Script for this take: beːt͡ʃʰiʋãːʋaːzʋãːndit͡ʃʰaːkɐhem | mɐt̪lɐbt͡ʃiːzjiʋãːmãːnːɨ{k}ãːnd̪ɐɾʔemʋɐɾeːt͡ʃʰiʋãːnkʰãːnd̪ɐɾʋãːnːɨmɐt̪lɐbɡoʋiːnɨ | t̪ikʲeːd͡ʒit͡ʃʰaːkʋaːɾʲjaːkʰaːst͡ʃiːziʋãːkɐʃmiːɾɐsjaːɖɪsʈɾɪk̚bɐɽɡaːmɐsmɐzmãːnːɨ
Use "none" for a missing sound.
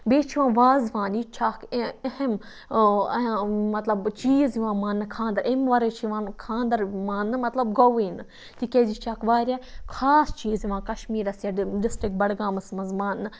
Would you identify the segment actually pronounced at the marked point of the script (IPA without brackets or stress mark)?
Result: kʰ